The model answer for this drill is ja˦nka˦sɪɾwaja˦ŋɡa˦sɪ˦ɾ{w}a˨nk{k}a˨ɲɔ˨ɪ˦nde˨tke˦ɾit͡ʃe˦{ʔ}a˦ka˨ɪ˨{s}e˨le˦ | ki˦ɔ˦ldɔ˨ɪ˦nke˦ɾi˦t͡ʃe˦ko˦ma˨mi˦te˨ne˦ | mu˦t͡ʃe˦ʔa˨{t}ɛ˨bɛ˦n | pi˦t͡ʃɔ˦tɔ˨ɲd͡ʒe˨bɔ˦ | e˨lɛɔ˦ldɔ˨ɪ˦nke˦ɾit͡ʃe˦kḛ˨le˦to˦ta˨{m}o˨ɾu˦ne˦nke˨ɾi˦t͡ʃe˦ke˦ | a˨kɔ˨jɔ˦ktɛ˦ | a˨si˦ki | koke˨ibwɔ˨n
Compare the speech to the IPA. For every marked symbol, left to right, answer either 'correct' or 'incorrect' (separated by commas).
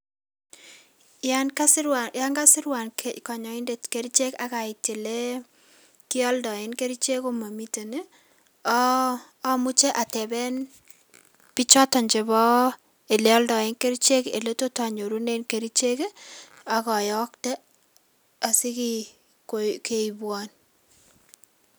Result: correct, correct, incorrect, incorrect, correct, incorrect